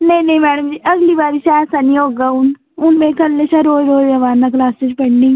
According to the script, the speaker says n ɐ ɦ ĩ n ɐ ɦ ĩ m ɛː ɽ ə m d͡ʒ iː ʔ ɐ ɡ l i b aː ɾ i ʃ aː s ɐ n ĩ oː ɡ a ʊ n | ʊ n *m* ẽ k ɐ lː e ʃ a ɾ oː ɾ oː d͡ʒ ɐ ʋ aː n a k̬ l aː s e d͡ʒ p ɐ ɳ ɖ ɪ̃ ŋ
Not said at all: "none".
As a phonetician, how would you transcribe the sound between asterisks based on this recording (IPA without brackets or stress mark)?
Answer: m